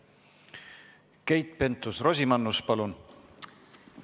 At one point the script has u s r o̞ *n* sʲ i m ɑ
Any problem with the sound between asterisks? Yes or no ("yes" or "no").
yes